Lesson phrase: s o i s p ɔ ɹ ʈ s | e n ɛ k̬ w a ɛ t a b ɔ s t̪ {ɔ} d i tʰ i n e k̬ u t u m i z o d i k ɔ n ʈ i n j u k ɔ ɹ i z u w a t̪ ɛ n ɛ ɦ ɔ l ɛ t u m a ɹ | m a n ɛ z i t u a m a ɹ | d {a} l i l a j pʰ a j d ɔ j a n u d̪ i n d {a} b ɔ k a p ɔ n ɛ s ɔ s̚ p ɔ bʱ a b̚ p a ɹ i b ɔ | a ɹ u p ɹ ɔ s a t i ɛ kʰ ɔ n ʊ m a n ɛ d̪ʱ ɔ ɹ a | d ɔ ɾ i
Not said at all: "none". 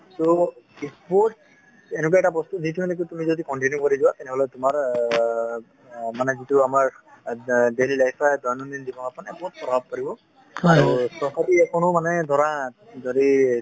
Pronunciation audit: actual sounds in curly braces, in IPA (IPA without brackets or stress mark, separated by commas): u, e, i